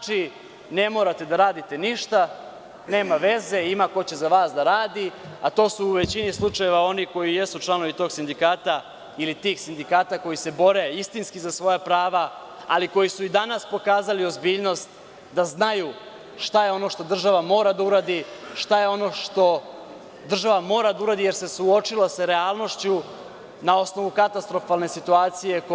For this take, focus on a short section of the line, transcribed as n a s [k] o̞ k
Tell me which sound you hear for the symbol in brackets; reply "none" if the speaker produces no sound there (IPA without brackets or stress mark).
p